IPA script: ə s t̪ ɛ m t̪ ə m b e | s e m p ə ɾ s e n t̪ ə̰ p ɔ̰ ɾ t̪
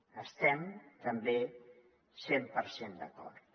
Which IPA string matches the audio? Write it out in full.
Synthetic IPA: ə s t̪ ɛ m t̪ ə m b e | s e m p ə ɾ s e n d̪ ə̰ k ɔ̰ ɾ t̪